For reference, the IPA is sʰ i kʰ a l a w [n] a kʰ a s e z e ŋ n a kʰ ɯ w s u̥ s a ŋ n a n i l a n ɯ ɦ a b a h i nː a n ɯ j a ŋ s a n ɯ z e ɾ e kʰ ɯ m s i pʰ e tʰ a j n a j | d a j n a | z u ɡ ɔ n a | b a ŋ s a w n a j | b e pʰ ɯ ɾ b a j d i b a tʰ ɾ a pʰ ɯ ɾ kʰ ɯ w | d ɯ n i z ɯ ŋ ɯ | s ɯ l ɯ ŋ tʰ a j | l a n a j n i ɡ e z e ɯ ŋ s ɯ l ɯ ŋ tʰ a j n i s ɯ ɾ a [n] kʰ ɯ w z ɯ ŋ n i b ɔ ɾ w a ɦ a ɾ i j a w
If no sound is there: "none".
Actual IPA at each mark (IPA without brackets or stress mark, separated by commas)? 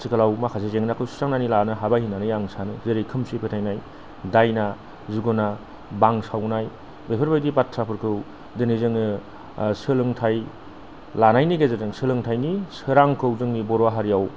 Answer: m, ŋ